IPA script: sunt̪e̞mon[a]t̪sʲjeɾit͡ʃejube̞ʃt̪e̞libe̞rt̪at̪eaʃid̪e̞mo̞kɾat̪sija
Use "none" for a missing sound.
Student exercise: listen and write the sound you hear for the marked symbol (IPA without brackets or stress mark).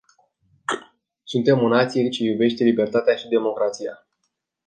a